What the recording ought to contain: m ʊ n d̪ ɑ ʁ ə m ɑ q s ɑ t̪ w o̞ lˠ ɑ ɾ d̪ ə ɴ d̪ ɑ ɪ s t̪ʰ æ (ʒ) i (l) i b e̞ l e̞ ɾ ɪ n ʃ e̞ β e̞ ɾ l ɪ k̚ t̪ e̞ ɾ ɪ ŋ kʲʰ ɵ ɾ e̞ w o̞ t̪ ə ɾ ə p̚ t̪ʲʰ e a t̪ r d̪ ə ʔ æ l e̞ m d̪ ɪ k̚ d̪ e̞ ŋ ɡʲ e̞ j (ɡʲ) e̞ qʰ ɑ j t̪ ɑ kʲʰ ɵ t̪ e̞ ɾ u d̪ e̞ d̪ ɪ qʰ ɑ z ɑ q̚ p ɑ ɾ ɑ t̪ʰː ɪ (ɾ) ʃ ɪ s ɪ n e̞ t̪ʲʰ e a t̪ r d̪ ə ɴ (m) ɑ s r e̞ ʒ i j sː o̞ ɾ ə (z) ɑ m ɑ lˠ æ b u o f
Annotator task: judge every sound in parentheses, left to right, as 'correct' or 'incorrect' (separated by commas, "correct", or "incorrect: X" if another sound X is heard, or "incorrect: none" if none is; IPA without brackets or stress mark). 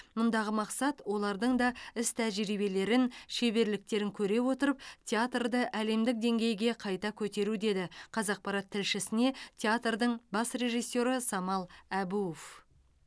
correct, incorrect: ɾ, correct, incorrect: l, incorrect: b, incorrect: s